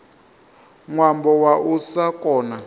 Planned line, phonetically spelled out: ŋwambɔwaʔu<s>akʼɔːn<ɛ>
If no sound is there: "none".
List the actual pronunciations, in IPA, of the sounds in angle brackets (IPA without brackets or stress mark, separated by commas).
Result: s, a